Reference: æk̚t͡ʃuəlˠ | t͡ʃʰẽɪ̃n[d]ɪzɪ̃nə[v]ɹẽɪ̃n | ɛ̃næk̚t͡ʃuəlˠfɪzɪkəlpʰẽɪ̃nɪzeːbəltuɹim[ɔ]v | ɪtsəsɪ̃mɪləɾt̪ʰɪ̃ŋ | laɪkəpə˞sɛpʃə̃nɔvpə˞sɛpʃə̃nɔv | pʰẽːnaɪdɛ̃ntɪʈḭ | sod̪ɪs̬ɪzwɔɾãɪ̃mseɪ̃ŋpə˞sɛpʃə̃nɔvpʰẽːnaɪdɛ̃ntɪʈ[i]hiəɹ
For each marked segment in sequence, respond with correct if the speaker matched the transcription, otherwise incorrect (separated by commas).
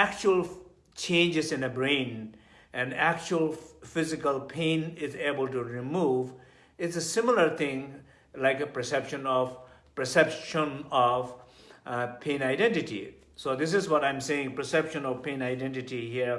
incorrect, incorrect, incorrect, correct